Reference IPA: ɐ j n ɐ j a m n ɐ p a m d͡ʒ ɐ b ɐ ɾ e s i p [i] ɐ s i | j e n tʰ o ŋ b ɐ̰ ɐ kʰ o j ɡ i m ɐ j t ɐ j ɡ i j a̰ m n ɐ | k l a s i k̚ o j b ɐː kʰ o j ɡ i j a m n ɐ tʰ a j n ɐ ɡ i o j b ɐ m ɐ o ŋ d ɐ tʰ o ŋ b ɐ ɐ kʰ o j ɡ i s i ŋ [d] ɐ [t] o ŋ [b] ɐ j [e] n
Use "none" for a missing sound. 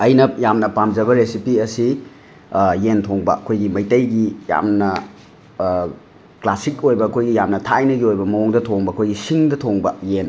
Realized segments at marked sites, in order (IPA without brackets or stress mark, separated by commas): i, d, tʰ, b, e